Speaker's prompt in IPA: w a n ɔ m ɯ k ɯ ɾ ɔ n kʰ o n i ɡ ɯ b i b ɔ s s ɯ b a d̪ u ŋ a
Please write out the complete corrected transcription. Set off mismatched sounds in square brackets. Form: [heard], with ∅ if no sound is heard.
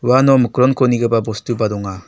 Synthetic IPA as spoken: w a n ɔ m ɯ k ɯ ɾ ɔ n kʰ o n i ɡ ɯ b [a] b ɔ s [t] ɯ b a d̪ [ɔ] ŋ a

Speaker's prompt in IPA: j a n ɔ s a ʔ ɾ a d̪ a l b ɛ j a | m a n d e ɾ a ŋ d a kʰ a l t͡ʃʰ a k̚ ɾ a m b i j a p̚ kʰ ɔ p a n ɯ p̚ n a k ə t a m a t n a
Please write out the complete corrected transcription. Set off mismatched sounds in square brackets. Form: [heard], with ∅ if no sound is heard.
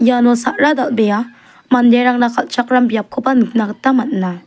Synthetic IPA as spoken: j a n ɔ s a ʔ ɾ a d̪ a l b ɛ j a | m a n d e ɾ a ŋ [n] a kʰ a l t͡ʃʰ a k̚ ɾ a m b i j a p̚ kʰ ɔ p a n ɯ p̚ n a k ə t a m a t n a

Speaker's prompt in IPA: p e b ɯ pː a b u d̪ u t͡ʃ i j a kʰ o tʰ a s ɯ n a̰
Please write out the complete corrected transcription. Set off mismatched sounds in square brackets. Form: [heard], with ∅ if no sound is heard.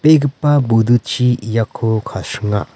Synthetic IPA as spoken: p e [ɡ] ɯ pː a b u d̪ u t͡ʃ i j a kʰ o [kʰ] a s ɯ [ŋ] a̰

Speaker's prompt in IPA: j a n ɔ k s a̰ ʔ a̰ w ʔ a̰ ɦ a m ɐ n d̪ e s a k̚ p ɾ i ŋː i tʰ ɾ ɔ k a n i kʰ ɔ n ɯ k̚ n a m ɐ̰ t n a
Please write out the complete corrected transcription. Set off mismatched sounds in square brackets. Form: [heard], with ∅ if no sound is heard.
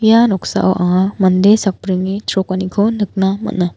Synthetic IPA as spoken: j a n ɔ k s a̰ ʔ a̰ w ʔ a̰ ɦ a m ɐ n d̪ e s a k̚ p ɾ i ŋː i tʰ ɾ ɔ k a n i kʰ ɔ n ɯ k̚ n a m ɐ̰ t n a

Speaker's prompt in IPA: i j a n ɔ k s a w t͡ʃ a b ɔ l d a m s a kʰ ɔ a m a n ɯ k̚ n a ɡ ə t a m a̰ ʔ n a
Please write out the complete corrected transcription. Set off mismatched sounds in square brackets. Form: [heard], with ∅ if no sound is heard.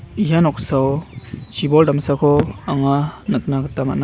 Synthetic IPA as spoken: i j a n ɔ k s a w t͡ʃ [i] b ɔ l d a m s a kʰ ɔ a [ŋ] a n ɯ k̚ n a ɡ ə t a m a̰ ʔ n a

